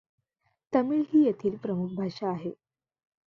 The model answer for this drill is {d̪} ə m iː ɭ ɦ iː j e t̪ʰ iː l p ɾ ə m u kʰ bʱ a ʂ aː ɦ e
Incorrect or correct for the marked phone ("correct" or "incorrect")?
incorrect